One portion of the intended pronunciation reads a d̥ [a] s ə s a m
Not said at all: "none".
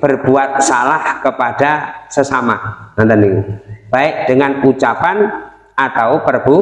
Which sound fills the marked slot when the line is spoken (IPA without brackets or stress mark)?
a